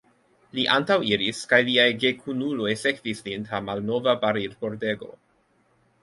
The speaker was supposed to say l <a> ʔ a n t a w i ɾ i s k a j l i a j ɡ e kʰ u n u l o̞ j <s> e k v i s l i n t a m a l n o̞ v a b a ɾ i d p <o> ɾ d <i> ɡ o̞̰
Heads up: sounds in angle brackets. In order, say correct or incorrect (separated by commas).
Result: incorrect, correct, correct, incorrect